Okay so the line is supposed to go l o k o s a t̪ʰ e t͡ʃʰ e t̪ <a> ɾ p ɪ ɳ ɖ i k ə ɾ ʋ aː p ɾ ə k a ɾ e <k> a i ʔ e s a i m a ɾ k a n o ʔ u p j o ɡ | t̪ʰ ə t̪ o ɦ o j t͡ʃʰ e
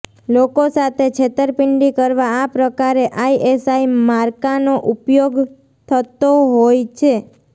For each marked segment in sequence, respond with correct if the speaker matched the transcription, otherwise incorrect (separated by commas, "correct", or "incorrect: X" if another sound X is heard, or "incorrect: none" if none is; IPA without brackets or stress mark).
incorrect: ə, incorrect: ʔ